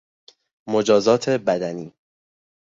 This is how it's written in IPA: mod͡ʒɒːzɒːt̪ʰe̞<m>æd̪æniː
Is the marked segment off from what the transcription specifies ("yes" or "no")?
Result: yes